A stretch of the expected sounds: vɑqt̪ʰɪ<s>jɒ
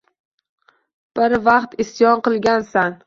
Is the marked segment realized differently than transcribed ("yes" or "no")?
no